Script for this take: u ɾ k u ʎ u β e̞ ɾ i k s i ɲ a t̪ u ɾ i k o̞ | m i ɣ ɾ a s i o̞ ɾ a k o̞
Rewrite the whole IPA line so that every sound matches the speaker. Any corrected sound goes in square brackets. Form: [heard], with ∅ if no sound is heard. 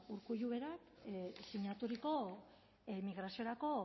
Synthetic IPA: u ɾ k u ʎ u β e̞ ɾ [a] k s i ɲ a t̪ u ɾ i k o̞ | m i ɣ ɾ a s i o̞ ɾ a k o̞

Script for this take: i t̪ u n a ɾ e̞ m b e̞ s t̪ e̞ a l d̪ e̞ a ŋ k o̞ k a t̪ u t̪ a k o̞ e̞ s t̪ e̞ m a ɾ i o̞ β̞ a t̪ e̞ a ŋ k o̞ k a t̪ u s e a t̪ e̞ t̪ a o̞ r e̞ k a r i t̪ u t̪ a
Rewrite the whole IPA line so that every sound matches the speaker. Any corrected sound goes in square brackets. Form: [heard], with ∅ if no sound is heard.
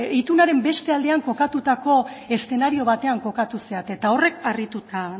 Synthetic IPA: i t̪ u n a ɾ e̞ m b e̞ s t̪ e̞ a l d̪ e̞ a ŋ k o̞ k a t̪ u t̪ a k o̞ e̞ s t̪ e̞ [n] a ɾ i o̞ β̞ a t̪ e̞ a ŋ k o̞ k a t̪ u s e a t̪ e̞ t̪ a o̞ r e̞ k a r i t̪ u t̪ a

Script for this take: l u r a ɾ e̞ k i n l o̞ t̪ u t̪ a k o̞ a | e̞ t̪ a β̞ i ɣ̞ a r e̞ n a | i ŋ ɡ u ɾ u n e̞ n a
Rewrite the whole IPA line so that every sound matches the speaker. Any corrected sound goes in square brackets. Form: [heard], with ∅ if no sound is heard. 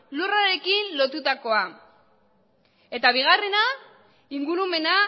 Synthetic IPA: l u r a ɾ e̞ k i n l o̞ t̪ u t̪ a k o̞ a | e̞ t̪ a β̞ i ɣ̞ a r e̞ n a | i ŋ ɡ u ɾ u [m] e̞ n a

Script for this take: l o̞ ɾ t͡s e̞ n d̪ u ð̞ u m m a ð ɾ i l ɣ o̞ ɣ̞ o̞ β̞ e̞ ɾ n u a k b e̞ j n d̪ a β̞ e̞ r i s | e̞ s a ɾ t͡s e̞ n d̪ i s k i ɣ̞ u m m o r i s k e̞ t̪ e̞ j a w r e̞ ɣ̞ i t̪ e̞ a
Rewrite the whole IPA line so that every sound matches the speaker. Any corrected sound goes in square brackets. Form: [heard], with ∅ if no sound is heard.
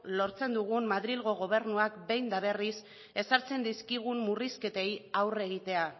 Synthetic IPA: l o̞ ɾ t͡s e̞ n d̪ u [ɣ̞] u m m a ð ɾ i l ɣ o̞ ɣ̞ o̞ β̞ e̞ ɾ n u a k b e̞ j n d̪ a β̞ e̞ r i s | e̞ s a ɾ t͡s e̞ n d̪ i s k i ɣ̞ u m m [u] r i s k e̞ t̪ e̞ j a w r e̞ ɣ̞ i t̪ e̞ a

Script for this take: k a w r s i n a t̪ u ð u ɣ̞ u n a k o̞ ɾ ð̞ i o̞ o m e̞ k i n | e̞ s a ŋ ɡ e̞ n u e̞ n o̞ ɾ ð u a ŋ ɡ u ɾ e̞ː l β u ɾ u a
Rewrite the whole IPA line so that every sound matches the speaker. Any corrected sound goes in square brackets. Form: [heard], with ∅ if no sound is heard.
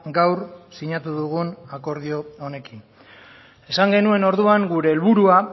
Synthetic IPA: [ɡ] a w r s i [ɲ] a t̪ u ð u ɣ̞ u n a k o̞ ɾ ð̞ i o̞ o [n] e̞ k i n | e̞ s a ŋ ɡ e̞ n u e̞ n o̞ ɾ ð u a ŋ ɡ u ɾ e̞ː l β u ɾ u a

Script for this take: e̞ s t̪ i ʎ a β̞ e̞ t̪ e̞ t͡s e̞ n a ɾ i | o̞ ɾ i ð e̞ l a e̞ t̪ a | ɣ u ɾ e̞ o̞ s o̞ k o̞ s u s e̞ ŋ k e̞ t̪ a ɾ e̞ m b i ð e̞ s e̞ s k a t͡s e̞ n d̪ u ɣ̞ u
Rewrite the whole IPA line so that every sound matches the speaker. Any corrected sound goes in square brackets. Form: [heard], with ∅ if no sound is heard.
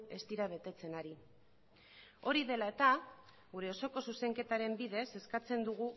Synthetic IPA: e̞ s t̪ i [ɾ] a β̞ e̞ t̪ e̞ t͡s e̞ n a ɾ i | o̞ ɾ i ð e̞ l a e̞ t̪ a | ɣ u ɾ e̞ o̞ s o̞ k o̞ s u s e̞ ŋ k e̞ t̪ a ɾ e̞ m b i ð e̞ s e̞ s k a t͡s e̞ n d̪ u ɣ̞ u

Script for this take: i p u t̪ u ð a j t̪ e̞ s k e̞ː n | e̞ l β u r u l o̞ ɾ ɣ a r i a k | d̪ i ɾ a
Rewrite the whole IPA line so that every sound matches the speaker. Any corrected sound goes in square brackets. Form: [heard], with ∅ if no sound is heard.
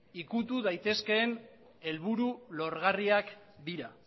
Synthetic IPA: i [k] u t̪ u ð a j t̪ e̞ s k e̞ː n | e̞ l β u [ɾ] u l o̞ ɾ ɣ a r i a k | d̪ i ɾ a

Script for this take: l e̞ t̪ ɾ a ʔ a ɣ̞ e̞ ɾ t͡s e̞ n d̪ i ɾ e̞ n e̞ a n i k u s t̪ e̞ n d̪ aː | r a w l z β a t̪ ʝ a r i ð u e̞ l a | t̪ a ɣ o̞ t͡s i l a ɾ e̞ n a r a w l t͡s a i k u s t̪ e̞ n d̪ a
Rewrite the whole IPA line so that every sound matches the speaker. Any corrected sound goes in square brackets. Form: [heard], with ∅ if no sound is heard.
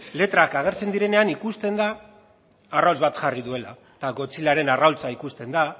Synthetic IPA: l e̞ t̪ ɾ a [k] a ɣ̞ e̞ ɾ t͡s e̞ n d̪ i ɾ e̞ n e̞ a n i k u s t̪ e̞ n d̪ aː | r a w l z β a t̪ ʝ a r i ð u e̞ l a | t̪ a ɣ o̞ t͡s i l a ɾ e̞ n a r a w l t͡s a i k u s t̪ e̞ n d̪ a

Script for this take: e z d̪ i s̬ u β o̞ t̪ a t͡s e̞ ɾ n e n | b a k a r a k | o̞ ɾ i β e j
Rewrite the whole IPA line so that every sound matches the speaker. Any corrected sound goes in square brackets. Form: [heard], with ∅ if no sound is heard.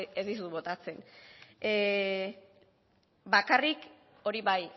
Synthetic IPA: e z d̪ i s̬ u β o̞ t̪ a t͡s e̞ [∅] n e [∅] | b a k a r [i] k | o̞ ɾ i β [a] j

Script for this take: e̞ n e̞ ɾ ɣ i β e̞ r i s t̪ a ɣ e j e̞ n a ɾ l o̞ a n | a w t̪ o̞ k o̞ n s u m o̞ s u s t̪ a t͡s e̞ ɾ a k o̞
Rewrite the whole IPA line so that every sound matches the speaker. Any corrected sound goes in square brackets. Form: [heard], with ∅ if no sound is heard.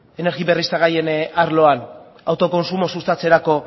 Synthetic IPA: e̞ n e̞ ɾ ɣ i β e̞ r i s t̪ a ɣ [a] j e̞ n a ɾ l o̞ a n | a w t̪ o̞ k o̞ n s u m o̞ s u s t̪ a t͡s e̞ ɾ a k o̞

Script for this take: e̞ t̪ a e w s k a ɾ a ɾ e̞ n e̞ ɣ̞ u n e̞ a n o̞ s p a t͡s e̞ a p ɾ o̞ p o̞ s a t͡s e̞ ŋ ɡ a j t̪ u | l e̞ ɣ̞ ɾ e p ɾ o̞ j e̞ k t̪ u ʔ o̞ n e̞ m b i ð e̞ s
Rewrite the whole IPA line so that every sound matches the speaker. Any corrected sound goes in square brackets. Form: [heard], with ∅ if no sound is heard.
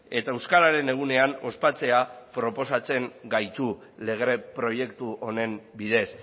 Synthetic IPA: e̞ t̪ a e w s k a ɾ a ɾ e̞ n e̞ ɣ̞ u n e̞ a n o̞ s p a t͡s e̞ a p ɾ o̞ p o̞ s a t͡s e̞ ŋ ɡ a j t̪ u | l e̞ ɣ̞ ɾ e p ɾ o̞ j e̞ k t̪ u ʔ o̞ n e̞ m b i ð e̞ s

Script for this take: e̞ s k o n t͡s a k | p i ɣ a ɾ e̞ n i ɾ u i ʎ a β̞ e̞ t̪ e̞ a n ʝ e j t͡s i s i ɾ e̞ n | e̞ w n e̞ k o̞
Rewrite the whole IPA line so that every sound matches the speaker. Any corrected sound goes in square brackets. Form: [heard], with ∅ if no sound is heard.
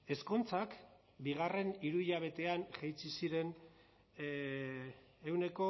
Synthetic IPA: e̞ s k o n t͡s a k | [b] i ɣ a [r] e̞ n i ɾ u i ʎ a β̞ e̞ t̪ e̞ a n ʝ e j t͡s i s i ɾ e̞ n | e̞ w n e̞ k o̞

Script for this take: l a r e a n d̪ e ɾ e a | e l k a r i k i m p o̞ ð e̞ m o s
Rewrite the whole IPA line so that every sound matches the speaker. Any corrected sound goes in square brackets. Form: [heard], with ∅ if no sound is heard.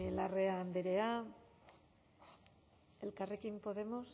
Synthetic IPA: l a r e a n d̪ e ɾ e a | e l k a r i k i m p o̞ ð e̞ m o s

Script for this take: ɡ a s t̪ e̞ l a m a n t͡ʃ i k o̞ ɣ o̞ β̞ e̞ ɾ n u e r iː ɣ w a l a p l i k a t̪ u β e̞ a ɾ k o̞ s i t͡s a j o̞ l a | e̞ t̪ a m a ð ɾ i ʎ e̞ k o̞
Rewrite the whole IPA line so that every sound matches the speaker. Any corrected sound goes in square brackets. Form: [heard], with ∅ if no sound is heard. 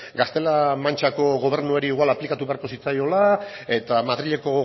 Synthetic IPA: ɡ a s t̪ e̞ l a m a n t͡ʃ [a] k o̞ ɣ o̞ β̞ e̞ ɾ n u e [ɾ] iː ɣ w a l a p l i k a t̪ u β e̞ a ɾ k o̞ s i t͡s a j o̞ l a | e̞ t̪ a m a ð ɾ i ʎ e̞ k o̞

